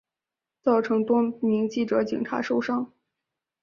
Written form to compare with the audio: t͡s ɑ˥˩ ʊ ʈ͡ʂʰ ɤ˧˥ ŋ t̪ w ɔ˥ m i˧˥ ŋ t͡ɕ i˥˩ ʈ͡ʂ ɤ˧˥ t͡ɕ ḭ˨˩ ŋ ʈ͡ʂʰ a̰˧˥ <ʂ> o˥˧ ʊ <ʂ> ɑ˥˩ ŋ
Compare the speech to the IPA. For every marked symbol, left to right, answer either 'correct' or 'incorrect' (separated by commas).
correct, correct